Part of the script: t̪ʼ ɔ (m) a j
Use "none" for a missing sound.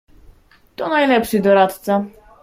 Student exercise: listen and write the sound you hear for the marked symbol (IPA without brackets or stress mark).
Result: n